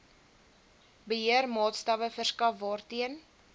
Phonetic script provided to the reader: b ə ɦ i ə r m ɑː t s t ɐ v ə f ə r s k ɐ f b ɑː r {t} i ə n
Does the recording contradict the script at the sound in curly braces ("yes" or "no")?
no